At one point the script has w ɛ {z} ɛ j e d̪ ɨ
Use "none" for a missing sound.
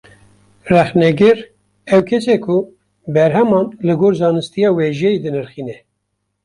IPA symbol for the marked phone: ʒ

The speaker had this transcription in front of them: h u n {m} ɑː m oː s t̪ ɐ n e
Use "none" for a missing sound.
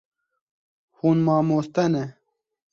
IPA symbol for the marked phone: m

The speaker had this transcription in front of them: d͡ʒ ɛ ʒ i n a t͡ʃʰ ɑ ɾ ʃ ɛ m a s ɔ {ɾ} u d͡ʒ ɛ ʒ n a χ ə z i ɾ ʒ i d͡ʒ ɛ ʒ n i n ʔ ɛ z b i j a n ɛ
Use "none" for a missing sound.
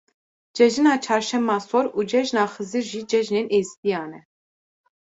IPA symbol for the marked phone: ɾ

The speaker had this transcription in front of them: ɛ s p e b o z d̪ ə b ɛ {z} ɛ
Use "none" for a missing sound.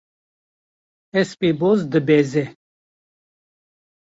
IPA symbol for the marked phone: z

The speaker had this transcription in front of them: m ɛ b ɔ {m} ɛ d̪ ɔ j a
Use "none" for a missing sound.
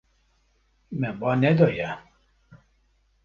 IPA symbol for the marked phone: n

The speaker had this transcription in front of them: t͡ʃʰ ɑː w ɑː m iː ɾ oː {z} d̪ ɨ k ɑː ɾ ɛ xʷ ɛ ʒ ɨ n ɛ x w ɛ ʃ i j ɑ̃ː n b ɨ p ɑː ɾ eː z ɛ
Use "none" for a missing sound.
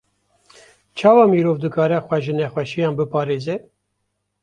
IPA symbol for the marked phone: v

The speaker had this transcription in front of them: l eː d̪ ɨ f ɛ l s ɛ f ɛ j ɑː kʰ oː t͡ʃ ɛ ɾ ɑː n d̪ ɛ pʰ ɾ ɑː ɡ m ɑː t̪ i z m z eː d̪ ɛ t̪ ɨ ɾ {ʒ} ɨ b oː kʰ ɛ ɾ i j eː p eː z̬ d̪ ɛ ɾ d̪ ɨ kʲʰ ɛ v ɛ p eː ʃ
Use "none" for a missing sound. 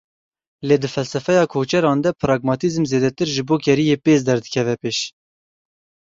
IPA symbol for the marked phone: ʒ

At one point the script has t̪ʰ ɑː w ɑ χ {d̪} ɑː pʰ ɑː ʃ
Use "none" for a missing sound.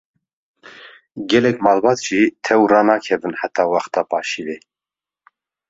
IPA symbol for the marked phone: t̪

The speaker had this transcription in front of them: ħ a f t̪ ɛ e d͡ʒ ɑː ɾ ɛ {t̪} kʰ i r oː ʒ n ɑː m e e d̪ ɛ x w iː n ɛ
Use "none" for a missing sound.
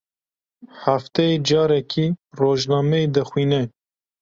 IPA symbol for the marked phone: none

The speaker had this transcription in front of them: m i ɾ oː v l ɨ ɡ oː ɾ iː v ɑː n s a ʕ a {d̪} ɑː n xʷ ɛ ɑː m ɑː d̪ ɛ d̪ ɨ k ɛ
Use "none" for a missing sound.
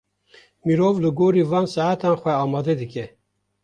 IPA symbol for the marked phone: t̪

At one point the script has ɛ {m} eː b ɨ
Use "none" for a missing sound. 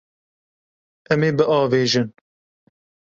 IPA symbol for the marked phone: m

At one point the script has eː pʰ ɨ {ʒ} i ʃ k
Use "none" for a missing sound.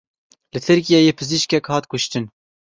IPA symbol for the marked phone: z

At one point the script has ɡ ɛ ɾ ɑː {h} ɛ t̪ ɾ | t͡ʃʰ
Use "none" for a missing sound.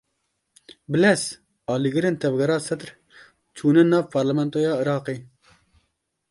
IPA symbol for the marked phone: s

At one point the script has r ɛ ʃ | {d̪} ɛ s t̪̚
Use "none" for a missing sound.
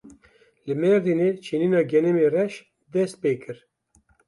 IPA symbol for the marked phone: d̪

